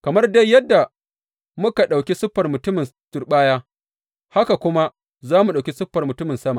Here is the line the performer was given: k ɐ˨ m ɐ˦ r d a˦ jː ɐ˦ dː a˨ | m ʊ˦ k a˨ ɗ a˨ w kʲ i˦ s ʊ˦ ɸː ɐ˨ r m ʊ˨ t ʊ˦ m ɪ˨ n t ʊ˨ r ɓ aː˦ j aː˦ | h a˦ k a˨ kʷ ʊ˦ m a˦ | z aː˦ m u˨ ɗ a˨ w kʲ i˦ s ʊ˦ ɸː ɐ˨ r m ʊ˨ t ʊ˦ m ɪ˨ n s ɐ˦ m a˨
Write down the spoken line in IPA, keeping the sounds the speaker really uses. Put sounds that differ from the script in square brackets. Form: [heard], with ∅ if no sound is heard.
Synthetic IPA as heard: k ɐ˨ m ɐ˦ r d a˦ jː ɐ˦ dː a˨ | m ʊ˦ k a˨ ɗ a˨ w kʲ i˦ s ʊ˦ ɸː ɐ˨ r m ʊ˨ t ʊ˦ m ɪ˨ n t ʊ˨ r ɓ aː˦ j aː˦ | h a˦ k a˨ kʷ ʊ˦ m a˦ | z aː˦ m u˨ ɗ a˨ w kʲ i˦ s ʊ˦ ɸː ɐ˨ r m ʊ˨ t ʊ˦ m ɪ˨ n s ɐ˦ m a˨